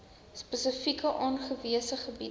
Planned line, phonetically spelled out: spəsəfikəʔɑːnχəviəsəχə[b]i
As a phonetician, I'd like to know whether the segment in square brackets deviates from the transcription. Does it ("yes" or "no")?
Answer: no